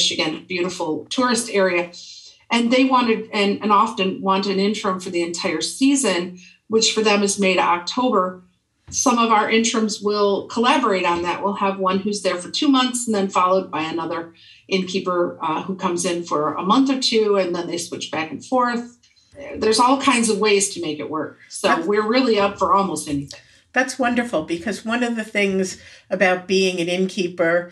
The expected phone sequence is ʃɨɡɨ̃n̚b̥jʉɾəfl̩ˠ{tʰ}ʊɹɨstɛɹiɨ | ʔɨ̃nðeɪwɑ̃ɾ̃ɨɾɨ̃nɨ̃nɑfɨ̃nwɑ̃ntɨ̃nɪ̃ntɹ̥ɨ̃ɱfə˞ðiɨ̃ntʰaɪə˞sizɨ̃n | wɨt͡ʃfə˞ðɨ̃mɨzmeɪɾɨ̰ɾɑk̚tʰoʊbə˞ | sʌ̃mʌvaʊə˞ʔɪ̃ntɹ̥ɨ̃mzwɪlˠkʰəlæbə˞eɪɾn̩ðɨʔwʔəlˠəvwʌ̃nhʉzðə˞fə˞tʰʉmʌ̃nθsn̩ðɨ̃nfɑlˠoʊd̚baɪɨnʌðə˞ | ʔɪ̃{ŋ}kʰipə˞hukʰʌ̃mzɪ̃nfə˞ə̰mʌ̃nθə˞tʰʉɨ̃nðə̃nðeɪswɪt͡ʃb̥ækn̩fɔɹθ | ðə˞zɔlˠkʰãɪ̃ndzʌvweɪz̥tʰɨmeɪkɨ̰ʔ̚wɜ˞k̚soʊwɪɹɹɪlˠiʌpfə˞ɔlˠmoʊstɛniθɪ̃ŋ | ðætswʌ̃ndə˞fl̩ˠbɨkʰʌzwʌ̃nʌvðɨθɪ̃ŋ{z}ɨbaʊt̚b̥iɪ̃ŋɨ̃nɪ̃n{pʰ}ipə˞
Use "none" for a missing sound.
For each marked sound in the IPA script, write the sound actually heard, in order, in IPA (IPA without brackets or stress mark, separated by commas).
tʰ, n, z, kʰ